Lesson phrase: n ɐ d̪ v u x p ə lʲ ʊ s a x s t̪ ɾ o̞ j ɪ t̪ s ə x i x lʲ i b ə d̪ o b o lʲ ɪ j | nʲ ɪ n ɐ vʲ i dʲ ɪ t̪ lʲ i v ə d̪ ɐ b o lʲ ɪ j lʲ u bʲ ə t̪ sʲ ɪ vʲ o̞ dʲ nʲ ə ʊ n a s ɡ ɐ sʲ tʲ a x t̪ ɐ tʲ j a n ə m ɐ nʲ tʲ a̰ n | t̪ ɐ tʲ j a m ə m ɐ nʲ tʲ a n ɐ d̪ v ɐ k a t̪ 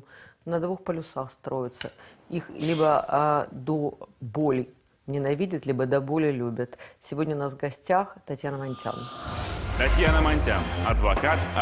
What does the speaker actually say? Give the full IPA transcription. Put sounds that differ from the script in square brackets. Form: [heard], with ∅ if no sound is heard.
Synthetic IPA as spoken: n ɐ d̪ v u x p ə lʲ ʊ s a x s t̪ ɾ o̞ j ɪ t̪ s ə [∅] i x lʲ i b ə d̪ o b o lʲ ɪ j | nʲ ɪ n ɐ vʲ i dʲ ɪ t̪ lʲ i [b] ə d̪ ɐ b o lʲ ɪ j lʲ u bʲ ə t̪ sʲ ɪ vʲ o̞ dʲ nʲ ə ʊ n a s ɡ ɐ sʲ tʲ a x t̪ ɐ tʲ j a n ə m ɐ nʲ tʲ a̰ n | t̪ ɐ tʲ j a [n] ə m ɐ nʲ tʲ a n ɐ d̪ v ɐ k a t̪